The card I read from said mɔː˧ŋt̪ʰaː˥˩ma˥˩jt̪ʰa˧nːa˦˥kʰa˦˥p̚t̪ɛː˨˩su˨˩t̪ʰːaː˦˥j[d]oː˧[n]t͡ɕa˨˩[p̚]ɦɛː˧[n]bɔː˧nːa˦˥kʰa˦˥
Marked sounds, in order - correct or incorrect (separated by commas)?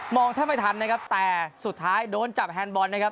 correct, correct, correct, correct